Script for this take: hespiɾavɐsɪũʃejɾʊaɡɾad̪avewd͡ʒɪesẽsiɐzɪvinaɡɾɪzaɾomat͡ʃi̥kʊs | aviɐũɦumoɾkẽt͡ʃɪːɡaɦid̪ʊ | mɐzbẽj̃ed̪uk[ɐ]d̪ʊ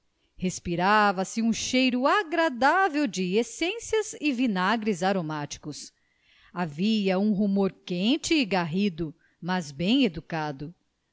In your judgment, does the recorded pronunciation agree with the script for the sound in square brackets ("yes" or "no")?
no